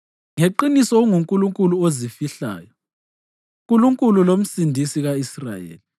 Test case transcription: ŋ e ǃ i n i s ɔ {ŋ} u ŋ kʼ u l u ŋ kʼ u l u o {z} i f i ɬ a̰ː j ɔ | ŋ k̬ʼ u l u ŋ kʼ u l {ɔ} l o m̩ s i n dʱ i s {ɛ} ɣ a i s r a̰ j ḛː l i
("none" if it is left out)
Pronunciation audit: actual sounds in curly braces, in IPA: ŋ, z, u, i

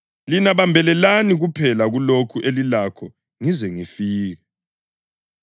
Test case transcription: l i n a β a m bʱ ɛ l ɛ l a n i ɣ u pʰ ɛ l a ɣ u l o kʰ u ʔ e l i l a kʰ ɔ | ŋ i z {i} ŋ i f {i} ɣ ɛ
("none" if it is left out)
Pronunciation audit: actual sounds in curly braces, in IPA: ɛ, iː

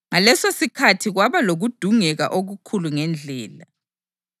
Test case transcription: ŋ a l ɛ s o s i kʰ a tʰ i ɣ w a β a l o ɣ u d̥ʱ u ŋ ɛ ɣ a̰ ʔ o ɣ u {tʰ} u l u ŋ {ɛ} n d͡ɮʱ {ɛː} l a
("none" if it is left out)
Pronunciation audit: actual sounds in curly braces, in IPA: kʰ, ɛ, ɛː

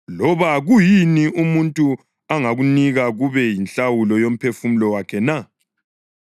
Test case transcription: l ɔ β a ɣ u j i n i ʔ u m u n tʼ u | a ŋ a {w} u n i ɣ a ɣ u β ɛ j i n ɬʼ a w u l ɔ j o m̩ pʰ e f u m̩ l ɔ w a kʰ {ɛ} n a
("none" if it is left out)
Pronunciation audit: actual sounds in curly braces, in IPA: ɣ, ɛ

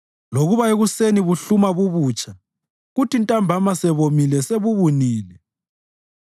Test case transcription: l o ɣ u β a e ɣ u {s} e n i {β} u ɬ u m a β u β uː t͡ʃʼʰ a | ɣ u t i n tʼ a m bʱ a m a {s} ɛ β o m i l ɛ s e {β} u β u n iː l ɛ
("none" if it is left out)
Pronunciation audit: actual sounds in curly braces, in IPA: s, β, s, β

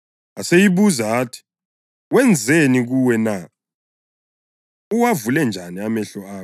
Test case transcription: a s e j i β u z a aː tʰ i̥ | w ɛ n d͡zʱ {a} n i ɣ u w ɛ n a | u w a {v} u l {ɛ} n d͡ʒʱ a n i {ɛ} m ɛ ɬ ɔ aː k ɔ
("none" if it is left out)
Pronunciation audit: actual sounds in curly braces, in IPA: e, v, ɛ, a

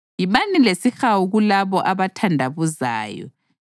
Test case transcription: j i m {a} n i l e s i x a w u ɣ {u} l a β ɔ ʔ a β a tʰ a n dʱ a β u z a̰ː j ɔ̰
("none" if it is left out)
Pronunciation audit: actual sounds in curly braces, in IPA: a, u

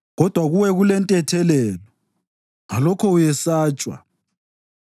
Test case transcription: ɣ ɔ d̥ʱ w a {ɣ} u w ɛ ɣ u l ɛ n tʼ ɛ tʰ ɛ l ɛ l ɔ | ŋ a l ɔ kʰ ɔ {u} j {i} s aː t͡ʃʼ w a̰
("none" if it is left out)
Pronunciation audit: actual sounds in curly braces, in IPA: ɣ, u, ɛ

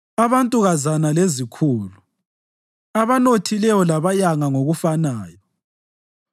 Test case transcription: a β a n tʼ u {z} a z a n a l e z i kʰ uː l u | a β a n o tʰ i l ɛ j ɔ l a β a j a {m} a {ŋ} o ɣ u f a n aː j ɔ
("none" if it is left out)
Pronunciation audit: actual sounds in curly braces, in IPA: ɣ, ŋ, ŋ

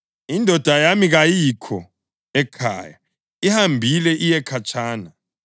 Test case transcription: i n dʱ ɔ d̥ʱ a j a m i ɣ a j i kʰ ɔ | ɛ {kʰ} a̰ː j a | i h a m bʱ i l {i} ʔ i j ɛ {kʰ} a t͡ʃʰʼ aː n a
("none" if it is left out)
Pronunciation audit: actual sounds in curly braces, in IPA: kʰ, ɛ, kʰ

